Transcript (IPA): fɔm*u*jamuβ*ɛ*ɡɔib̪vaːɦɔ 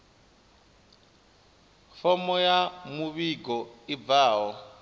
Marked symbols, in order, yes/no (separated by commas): no, no